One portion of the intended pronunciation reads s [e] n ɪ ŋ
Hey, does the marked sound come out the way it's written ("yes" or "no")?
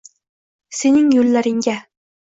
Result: yes